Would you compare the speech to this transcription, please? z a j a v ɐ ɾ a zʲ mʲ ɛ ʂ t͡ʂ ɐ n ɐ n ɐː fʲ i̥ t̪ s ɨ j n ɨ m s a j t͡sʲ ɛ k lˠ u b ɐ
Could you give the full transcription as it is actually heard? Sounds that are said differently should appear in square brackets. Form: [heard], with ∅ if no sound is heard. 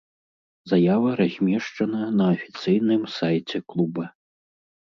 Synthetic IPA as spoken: z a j a v ɐ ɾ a zʲ mʲ ɛ ʂ t͡ʂ ɐ n ɐ n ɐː fʲ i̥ t̪ s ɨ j n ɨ m s a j t͡sʲ ɛ k lˠ u b ɐ